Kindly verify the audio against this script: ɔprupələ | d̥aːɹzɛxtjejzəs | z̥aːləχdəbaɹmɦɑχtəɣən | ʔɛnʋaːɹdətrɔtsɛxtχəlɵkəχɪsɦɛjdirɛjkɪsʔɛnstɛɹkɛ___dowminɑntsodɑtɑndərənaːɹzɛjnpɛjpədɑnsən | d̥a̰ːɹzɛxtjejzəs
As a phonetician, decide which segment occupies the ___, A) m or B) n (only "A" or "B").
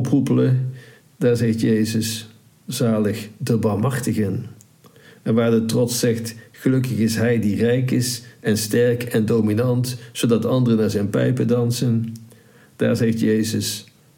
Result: B